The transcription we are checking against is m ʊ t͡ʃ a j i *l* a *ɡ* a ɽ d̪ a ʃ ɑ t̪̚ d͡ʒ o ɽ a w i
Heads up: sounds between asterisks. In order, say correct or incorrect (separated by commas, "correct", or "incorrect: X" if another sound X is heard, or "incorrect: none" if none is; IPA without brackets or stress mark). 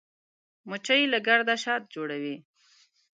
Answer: correct, correct